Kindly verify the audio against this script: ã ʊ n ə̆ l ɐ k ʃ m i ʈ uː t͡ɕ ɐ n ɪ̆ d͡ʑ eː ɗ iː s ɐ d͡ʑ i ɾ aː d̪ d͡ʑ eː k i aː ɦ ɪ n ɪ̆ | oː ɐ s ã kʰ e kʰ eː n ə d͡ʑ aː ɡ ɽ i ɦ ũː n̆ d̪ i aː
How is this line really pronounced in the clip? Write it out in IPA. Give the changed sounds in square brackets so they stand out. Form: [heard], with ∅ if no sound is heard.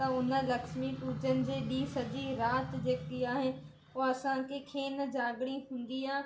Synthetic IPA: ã ʊ n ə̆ l ɐ k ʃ m i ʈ uː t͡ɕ [ə] n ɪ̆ d͡ʑ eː ɗ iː s ɐ d͡ʑ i ɾ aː [t̪] d͡ʑ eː k i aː ɦ ɪ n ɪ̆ | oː ɐ s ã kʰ e kʰ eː n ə d͡ʑ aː ɡ ɽ i ɦ ũː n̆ d̪ i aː